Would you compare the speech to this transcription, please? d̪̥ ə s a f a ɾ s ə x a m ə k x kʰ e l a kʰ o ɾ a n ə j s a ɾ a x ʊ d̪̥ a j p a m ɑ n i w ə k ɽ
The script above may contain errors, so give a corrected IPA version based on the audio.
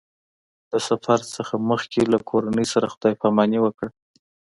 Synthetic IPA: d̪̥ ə s a f a ɾ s ə x a m ə x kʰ e l a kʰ o ɾ a n ə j s a ɾ a x ʊ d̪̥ ɑ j p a m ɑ n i w ə k ɽ